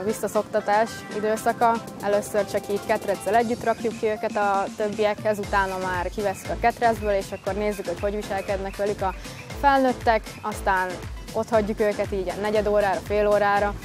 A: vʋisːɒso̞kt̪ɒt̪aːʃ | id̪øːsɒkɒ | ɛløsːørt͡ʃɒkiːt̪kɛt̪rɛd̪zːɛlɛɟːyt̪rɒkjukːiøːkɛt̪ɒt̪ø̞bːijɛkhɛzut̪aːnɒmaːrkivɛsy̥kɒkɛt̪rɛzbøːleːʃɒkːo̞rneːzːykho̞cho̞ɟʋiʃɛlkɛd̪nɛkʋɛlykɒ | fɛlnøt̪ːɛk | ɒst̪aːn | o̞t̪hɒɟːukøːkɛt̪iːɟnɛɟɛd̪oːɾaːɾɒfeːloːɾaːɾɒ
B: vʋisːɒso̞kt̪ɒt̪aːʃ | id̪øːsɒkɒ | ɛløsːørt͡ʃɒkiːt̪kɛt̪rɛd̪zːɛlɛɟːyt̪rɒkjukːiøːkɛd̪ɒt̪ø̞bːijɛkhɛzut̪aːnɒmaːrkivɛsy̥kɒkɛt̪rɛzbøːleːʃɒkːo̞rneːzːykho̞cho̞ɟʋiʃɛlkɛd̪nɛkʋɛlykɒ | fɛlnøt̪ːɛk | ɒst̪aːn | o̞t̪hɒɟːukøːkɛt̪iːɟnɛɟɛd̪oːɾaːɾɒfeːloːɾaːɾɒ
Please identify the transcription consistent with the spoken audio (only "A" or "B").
A